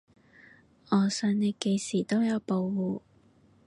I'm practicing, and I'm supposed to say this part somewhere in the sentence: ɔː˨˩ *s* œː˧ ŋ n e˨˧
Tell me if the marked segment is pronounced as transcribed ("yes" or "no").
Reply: yes